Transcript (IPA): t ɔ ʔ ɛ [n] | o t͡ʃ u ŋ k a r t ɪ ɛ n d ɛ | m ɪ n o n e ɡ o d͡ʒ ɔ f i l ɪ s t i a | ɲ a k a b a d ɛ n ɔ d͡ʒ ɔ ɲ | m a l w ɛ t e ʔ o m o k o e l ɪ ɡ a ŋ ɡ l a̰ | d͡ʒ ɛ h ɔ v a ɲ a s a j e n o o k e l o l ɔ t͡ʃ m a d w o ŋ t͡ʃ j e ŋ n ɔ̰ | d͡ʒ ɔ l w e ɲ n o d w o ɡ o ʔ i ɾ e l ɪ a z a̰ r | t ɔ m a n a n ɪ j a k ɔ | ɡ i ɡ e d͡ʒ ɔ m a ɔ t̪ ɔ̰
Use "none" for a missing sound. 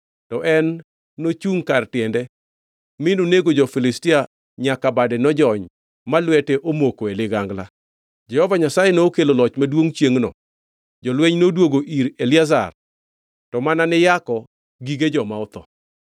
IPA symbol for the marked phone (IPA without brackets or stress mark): nː